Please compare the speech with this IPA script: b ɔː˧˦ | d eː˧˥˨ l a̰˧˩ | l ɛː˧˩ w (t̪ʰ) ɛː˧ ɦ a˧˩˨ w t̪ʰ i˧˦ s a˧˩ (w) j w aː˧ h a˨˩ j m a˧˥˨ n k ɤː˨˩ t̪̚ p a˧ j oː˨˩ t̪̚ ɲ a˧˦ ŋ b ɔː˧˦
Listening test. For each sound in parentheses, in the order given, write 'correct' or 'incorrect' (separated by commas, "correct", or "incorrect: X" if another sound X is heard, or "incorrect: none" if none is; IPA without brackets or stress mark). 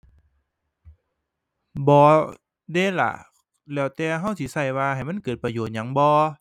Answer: incorrect: t̪, incorrect: none